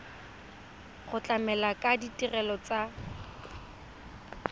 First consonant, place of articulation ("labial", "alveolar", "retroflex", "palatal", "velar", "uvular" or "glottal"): uvular